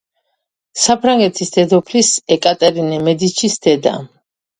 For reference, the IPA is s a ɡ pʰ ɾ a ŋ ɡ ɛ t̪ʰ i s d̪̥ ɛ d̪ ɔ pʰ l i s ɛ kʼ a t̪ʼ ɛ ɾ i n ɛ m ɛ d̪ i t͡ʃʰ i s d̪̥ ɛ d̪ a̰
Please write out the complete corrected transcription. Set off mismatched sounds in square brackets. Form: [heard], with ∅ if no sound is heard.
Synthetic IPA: s a [∅] pʰ ɾ a ŋ ɡ ɛ t̪ʰ i s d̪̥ ɛ d̪ ɔ pʰ l i s ɛ kʼ a t̪ʼ ɛ ɾ i n ɛ m ɛ d̪ i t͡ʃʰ i s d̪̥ ɛ d̪ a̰